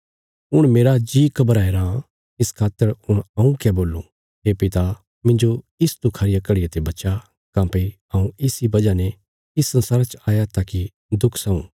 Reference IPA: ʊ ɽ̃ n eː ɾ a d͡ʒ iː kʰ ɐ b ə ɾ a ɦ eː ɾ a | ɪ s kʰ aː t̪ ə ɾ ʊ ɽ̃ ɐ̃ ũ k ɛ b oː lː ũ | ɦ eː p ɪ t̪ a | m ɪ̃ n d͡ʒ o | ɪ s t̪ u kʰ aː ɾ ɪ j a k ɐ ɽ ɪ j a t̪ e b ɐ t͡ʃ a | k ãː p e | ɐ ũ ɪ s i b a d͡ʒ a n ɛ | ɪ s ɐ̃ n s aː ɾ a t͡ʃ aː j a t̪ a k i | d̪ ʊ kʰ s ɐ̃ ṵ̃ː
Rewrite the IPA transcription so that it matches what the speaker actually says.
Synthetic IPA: ʊ ɽ̃ m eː ɾ a d͡ʒ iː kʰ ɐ b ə ɾ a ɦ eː ɾ a | ɪ s kʰ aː t̪ ə ɾ ʊ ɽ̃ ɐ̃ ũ k ɛ b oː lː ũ | ɦ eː p ɪ t̪ a | m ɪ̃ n d͡ʒ o | ɪ s t̪ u kʰ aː ɾ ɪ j a k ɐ ɽ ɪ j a t̪ e b ɐ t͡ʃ a | k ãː p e | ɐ ũ ɪ s i b ɐ d͡ʒ a n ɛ | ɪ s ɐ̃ n s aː ɾ a t͡ʃ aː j a t̪ a k i | d̪ ʊ kʰ s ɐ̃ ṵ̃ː